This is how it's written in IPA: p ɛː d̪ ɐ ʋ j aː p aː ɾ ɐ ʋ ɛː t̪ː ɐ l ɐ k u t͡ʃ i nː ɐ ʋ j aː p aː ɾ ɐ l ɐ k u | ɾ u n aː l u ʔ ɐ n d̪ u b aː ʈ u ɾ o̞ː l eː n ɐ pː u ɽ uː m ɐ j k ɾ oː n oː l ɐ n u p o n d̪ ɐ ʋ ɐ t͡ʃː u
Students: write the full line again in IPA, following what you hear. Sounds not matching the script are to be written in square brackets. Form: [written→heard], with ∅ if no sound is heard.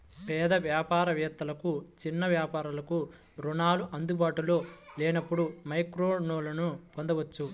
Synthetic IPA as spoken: p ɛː d̪ ɐ ʋ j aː p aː ɾ ɐ ʋ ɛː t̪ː ɐ l ɐ k u t͡ʃ i nː ɐ ʋ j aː p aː ɾ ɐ l ɐ k u | ɾ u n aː l u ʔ ɐ n d̪ u b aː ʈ u [ɾ→l] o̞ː l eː n ɐ pː u ɽ [uː→u] m ɐ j k ɾ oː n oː l ɐ n u p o n d̪ ɐ ʋ ɐ t͡ʃː u